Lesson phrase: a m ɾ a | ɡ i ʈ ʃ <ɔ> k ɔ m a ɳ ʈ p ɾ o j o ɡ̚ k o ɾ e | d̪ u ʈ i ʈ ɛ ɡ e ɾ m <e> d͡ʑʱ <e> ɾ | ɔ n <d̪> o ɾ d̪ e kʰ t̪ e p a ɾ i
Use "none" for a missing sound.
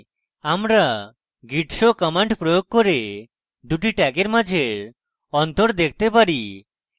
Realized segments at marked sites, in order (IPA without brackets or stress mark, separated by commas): o, a, e, t̪